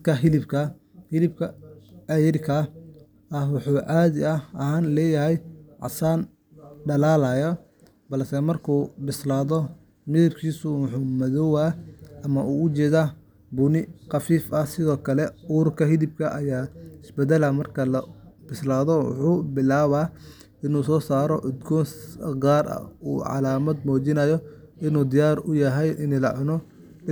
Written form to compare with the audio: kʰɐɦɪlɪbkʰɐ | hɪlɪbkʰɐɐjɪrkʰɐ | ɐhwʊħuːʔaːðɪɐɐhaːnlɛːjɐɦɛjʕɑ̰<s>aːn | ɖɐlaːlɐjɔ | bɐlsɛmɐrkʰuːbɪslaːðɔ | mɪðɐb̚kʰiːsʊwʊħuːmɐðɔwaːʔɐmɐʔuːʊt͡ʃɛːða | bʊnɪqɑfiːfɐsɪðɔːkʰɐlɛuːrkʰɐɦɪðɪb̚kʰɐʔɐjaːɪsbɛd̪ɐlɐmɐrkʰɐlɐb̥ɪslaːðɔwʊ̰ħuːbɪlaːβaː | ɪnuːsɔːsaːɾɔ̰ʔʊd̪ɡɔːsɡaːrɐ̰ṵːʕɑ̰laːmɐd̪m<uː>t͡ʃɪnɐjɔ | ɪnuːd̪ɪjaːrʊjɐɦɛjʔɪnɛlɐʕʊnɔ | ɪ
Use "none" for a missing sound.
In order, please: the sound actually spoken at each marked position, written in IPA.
s, ɔː

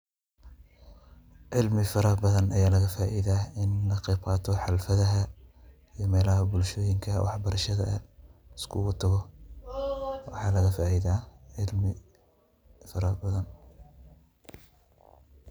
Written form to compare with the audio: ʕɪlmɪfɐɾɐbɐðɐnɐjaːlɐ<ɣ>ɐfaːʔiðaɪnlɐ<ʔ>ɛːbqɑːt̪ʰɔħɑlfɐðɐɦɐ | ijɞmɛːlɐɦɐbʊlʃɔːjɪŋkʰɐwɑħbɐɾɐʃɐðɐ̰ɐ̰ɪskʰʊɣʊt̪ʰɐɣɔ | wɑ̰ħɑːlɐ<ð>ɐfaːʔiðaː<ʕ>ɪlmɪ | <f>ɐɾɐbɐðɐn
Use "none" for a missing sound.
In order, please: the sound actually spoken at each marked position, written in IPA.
ɣ, q, ɣ, ʕ, f

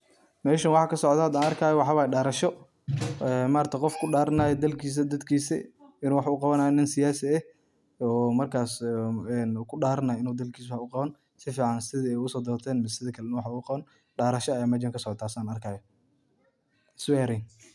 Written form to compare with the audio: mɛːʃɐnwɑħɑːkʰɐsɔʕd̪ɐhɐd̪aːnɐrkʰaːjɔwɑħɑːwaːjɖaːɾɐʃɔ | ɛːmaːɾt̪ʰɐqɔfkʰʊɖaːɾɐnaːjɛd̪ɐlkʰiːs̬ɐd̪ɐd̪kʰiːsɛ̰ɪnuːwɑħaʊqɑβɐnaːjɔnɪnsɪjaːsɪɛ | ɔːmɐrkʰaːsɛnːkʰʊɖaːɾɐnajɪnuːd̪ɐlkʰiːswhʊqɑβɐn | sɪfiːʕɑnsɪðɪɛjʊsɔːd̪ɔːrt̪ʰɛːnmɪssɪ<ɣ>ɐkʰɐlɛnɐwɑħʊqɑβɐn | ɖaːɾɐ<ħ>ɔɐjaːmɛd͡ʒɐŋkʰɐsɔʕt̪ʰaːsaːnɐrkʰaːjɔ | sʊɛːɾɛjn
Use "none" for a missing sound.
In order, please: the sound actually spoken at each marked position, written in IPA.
ð, ʃ

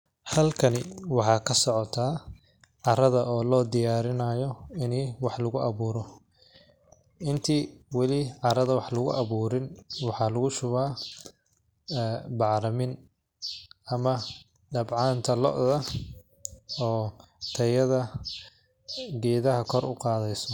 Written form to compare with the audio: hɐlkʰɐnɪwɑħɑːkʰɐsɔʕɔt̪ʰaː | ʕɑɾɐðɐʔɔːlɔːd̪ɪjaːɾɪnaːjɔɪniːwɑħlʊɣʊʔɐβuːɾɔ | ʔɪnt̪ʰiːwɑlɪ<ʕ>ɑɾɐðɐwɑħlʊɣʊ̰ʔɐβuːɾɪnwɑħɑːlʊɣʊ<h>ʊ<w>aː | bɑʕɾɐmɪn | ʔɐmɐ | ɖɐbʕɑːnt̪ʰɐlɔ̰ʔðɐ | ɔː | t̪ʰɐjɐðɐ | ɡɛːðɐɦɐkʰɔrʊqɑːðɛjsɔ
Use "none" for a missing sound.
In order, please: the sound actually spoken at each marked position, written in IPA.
ʕ, ʃ, β

